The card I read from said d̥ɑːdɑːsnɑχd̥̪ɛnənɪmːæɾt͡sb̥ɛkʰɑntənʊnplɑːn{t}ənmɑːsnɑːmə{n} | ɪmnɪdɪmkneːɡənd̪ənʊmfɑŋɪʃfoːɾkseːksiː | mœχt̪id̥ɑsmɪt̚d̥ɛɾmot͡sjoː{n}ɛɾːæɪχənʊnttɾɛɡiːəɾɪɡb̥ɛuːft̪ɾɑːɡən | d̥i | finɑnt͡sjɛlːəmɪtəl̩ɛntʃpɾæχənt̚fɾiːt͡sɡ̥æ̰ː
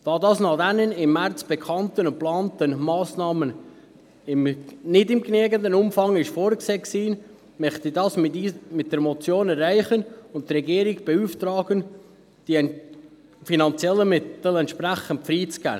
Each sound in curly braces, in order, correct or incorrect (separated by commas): correct, correct, correct